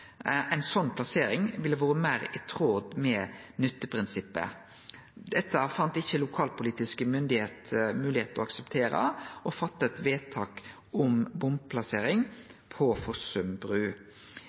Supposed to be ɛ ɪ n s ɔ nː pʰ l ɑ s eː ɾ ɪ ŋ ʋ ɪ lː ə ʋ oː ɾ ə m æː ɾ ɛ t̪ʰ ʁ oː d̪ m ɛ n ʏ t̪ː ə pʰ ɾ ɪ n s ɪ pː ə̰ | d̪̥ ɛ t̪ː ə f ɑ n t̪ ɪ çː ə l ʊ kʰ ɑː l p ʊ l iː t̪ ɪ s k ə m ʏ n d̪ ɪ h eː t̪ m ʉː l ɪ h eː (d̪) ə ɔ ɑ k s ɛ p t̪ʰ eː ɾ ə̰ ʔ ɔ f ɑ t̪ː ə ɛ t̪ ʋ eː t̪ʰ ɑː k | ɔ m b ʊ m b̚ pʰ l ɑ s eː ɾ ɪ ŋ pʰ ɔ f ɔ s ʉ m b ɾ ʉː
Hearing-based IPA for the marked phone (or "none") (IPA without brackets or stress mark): t̪